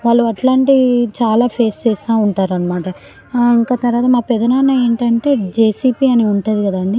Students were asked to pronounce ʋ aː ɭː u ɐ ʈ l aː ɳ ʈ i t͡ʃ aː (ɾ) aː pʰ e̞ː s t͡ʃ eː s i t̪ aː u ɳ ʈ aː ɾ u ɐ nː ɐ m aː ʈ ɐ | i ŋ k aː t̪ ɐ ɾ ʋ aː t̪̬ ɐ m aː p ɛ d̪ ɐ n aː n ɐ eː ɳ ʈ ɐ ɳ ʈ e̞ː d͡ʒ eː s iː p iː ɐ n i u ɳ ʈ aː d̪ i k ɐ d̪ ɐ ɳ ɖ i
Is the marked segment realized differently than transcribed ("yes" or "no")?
yes